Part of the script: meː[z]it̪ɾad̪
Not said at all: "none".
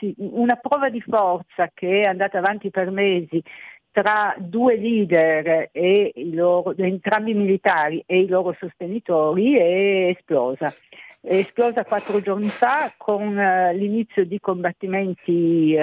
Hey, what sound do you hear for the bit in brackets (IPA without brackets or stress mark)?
z